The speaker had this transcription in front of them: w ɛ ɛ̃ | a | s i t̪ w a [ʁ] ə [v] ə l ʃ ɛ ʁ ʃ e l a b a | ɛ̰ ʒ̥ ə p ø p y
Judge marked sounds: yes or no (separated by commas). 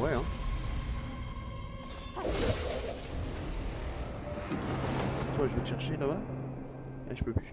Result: no, yes